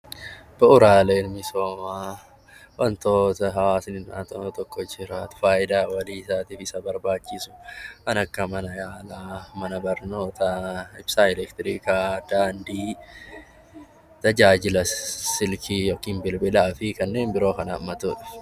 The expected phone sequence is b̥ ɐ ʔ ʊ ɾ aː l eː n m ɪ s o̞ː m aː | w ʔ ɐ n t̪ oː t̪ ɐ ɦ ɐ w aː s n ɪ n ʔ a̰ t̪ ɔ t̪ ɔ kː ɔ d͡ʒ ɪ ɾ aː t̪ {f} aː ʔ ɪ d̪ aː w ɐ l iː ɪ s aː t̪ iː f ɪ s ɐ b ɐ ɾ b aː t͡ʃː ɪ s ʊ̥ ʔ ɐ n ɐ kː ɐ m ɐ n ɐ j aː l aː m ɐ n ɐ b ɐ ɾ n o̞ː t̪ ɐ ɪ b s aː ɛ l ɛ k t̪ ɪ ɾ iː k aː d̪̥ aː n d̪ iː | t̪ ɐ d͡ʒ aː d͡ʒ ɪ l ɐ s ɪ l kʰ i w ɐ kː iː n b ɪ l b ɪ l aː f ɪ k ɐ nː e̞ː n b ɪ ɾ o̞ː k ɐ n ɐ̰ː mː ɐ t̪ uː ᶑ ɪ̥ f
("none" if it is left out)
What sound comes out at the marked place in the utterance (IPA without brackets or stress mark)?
f